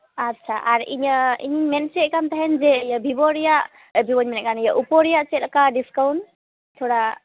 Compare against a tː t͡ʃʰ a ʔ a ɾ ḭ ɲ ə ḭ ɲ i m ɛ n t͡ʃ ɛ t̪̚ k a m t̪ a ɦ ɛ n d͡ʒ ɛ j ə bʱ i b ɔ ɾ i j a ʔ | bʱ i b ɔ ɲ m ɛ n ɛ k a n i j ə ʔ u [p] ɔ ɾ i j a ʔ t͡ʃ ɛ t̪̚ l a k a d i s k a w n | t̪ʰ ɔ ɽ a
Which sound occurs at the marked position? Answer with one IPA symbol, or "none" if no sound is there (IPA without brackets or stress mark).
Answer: p